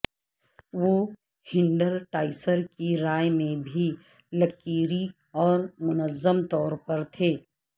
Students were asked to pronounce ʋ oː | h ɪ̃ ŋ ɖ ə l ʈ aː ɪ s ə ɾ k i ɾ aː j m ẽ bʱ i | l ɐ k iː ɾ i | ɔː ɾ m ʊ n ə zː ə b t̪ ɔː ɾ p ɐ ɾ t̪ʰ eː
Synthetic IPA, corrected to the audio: ʋ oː | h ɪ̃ ɳ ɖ ə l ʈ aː ɪ s ə ɾ k i ɾ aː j m ẽ bʱ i | l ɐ k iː ɾ i | ɔː ɾ m ʊ n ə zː ə m t̪ ɔː ɾ p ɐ ɾ t̪ʰ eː